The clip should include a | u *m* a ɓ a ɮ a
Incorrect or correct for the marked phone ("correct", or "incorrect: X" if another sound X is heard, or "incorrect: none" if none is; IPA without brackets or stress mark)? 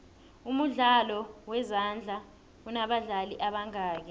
incorrect: n